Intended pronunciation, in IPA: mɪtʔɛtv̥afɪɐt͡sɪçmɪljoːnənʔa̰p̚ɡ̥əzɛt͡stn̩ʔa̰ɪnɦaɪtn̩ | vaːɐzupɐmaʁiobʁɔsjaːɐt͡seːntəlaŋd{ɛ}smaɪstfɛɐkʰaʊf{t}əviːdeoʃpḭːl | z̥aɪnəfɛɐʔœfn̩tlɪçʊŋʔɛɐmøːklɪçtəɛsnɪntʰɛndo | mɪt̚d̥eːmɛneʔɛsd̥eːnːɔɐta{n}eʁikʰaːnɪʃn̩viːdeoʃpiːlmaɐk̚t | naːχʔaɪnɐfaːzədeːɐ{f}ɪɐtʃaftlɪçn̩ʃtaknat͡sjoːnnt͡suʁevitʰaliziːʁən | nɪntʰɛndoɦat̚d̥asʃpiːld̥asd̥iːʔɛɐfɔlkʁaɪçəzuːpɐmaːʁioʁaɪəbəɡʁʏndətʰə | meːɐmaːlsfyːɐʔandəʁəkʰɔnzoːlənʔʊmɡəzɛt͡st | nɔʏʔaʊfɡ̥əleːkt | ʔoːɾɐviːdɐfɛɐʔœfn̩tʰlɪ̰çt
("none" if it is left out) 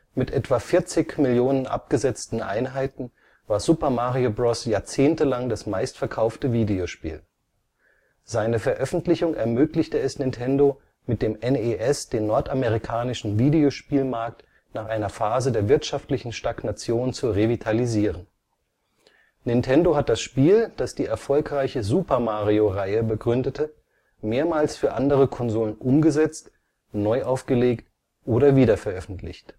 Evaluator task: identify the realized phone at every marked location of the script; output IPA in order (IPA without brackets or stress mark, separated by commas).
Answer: a, t, m, v